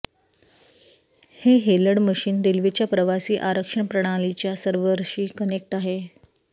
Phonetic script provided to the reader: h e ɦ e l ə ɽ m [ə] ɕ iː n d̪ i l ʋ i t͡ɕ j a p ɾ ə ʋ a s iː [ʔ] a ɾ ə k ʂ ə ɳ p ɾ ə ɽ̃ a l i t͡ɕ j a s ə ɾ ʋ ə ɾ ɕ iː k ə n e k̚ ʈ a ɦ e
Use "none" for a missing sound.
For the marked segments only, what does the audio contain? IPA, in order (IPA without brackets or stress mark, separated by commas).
ə, ʔ